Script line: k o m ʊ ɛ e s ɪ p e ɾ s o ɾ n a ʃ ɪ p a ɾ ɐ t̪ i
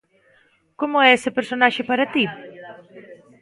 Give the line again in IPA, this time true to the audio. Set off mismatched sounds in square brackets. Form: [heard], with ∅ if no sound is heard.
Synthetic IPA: k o m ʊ ɛ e s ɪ p e ɾ s o [∅] n a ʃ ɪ p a ɾ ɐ t̪ i